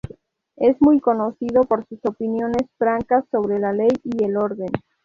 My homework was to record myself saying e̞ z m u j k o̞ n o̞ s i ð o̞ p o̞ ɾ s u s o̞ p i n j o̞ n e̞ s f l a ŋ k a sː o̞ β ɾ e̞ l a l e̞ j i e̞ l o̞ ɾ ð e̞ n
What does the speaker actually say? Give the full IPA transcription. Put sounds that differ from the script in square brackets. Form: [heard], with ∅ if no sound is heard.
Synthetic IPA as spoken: e̞ z m u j k o̞ n o̞ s i ð o̞ p o̞ ɾ s u s o̞ p i n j o̞ n e̞ s f [ɾ] a ŋ k a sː o̞ β ɾ e̞ l a l e̞ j i e̞ l o̞ ɾ ð e̞ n